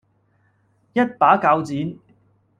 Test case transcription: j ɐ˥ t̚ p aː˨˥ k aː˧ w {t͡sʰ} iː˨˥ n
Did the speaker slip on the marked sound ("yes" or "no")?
yes